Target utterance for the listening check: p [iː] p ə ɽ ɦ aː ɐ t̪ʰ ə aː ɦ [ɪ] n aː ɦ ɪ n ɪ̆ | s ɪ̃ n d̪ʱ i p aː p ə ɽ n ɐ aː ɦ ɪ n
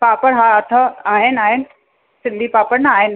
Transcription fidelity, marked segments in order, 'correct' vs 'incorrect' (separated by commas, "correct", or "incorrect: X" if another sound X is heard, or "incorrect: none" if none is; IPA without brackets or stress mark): incorrect: aː, correct